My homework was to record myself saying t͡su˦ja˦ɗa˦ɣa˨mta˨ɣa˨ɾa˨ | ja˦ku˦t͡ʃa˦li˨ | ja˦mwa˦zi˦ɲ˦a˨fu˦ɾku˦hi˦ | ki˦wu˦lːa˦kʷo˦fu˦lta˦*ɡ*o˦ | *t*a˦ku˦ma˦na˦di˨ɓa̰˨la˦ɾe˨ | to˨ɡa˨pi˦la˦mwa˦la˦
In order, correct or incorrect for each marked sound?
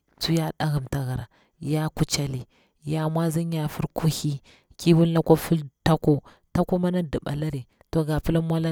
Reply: incorrect, correct

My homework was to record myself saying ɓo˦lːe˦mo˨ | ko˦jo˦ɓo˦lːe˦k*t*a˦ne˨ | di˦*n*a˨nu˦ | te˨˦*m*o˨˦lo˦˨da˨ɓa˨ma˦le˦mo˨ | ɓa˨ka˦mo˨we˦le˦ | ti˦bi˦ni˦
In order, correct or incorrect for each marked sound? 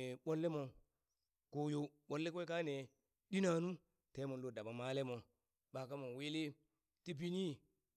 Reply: incorrect, correct, correct

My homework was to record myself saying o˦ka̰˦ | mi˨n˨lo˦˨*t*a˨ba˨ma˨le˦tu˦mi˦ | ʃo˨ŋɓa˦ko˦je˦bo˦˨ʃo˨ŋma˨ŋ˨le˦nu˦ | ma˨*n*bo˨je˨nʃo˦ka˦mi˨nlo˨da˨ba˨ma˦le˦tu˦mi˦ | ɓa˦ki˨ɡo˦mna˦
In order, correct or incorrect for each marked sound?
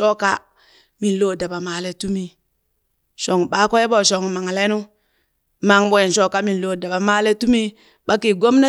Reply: incorrect, incorrect

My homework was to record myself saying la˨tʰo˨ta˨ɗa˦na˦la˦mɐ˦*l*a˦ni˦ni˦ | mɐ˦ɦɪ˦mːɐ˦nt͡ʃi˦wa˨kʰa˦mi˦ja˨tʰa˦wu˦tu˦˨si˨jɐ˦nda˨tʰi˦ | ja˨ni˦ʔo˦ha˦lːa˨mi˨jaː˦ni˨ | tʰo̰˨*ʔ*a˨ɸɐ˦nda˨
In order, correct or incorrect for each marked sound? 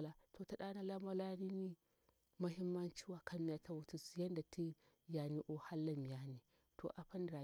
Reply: correct, correct

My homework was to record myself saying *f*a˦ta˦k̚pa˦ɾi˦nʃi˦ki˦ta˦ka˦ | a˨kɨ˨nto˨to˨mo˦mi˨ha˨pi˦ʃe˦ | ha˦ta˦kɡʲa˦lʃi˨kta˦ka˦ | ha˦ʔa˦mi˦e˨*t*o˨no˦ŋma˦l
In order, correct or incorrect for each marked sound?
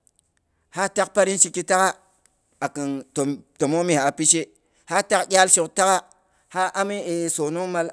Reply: incorrect, incorrect

